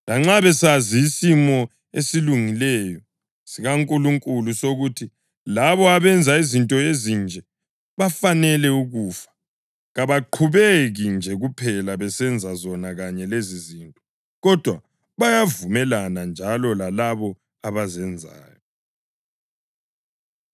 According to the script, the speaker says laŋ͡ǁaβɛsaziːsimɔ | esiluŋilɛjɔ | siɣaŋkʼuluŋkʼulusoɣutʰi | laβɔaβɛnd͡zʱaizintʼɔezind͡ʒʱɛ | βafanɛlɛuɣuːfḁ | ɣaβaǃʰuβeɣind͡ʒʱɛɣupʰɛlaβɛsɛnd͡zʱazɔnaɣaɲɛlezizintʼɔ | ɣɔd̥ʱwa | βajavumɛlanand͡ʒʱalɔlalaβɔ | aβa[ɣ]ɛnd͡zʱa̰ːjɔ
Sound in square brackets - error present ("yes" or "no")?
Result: yes